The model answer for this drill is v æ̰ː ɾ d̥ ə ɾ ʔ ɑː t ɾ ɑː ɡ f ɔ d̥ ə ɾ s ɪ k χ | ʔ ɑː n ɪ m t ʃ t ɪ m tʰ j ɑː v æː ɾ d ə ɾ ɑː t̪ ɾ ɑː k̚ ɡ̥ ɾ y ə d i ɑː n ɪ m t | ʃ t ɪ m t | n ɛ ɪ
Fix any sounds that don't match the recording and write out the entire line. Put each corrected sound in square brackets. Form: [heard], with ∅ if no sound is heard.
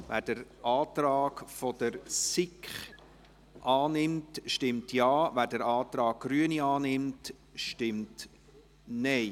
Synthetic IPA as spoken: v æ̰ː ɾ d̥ ə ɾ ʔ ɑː t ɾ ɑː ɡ f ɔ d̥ ə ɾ s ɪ k χ | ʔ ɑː n ɪ m t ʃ t ɪ m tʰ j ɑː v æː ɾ d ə ɾ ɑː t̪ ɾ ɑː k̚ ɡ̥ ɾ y ə [n] i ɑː n ɪ m t | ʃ t ɪ m t | n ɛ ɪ